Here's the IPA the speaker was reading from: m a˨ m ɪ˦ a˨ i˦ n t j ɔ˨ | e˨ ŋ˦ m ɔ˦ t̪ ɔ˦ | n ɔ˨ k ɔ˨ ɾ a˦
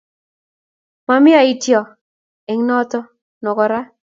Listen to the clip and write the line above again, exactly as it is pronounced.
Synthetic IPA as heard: m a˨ m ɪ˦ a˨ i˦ t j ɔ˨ | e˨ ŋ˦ n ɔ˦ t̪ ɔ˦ | n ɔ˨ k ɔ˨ ɾ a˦